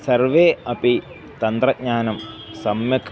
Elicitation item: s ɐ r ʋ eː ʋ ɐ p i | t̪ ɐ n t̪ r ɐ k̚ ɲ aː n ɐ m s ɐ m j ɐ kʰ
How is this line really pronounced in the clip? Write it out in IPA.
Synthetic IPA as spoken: s ɐ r ʋ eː ɐ p i | t̪ ɐ n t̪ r ɐ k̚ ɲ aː n ɐ m s ɐ m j ɐ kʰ